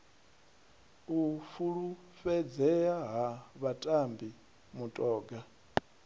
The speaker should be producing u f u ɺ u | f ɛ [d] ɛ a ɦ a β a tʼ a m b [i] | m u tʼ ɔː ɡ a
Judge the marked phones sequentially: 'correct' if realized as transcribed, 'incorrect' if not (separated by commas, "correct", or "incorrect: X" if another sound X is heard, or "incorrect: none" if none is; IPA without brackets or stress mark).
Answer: incorrect: d͡z, correct